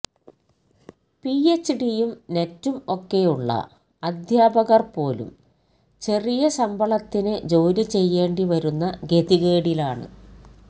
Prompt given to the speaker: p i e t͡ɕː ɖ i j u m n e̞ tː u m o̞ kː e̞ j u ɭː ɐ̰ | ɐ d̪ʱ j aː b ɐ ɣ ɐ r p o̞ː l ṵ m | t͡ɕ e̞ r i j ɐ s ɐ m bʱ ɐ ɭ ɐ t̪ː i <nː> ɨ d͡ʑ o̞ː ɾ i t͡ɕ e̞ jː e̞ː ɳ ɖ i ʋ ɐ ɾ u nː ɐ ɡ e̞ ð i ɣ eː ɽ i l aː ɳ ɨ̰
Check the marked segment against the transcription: incorrect: n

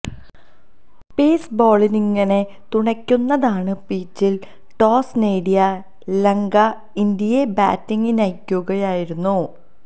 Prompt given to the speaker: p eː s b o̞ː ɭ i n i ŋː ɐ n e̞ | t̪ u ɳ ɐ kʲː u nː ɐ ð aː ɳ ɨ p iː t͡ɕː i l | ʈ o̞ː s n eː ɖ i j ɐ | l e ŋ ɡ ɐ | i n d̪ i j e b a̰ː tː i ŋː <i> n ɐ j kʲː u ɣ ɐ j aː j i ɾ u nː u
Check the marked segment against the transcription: correct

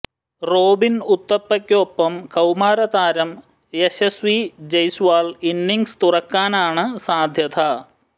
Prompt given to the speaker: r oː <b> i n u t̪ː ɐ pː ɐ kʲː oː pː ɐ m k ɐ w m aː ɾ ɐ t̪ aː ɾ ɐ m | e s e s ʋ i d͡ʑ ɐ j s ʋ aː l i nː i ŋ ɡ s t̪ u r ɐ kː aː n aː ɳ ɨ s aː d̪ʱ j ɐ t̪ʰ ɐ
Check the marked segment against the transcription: correct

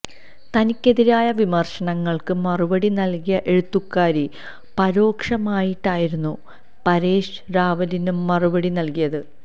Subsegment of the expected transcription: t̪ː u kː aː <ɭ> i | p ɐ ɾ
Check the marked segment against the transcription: incorrect: ɾ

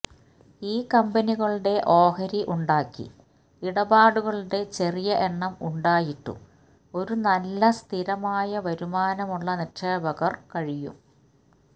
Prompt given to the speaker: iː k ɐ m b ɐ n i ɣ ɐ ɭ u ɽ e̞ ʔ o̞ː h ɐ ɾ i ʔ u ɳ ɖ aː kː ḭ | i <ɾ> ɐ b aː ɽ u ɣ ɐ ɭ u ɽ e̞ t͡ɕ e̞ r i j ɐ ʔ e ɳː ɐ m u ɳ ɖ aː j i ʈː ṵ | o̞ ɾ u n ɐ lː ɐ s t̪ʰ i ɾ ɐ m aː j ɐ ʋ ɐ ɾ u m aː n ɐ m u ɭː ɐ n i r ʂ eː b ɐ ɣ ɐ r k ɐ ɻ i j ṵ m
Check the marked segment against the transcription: incorrect: ɽ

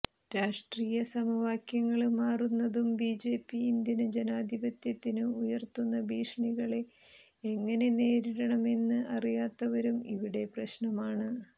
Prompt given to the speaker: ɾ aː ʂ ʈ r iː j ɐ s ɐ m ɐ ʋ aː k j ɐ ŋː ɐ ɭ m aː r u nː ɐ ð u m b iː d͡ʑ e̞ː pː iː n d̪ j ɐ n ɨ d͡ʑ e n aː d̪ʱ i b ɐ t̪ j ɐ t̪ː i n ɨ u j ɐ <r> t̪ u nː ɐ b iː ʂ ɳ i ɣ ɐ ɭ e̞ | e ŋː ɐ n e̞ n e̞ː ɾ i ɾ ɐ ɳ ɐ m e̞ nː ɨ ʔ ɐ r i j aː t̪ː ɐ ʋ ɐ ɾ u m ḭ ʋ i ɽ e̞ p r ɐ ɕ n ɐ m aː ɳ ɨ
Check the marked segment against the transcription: correct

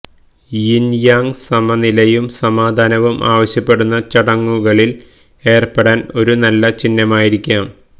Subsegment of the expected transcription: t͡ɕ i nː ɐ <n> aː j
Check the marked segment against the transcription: incorrect: m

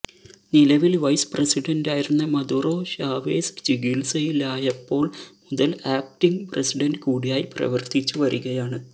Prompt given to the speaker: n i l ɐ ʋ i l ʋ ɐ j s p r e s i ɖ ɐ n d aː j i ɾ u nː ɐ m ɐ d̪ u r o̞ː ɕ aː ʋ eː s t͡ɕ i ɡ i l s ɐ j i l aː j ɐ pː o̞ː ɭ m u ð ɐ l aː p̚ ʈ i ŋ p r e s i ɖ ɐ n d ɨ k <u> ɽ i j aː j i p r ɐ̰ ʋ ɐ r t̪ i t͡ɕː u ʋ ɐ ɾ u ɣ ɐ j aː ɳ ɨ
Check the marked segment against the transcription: incorrect: uː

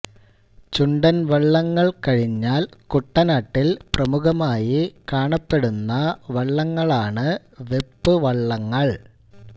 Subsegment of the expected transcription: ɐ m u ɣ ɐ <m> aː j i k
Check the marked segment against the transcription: correct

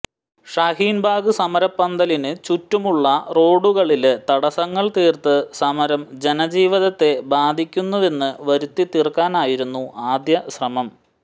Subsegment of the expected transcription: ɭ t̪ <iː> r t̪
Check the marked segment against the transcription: correct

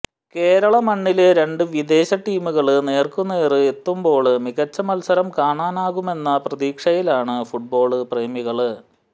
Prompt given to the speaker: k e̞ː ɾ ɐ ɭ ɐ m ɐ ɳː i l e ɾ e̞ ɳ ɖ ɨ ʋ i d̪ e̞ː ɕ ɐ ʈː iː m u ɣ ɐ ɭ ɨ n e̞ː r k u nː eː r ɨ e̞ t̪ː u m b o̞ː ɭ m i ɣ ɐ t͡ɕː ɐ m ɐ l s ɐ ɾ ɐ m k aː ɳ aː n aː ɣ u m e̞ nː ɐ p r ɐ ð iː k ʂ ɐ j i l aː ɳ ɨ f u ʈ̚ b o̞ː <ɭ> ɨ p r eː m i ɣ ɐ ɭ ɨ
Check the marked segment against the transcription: correct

